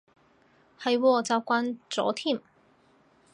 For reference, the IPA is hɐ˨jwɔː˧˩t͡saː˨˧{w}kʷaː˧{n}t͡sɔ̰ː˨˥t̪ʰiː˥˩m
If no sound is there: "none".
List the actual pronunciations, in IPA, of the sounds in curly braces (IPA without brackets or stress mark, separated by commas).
w, n